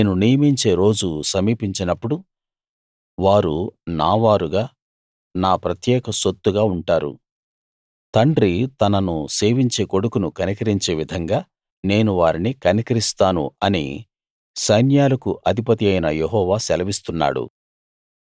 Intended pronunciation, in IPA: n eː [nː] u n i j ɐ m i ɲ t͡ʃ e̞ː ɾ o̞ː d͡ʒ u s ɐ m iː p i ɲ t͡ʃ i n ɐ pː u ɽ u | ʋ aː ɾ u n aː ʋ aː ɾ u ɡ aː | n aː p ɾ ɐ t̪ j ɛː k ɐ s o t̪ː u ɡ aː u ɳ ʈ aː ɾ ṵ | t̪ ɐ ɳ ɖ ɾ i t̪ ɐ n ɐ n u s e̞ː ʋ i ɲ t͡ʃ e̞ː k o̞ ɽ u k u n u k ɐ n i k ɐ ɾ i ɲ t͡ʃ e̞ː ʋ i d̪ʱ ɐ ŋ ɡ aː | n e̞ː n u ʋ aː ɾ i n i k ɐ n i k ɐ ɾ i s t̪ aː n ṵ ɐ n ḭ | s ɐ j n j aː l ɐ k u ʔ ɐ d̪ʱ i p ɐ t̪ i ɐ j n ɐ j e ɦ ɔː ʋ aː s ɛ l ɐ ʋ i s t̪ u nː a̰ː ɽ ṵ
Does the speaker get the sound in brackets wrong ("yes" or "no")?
yes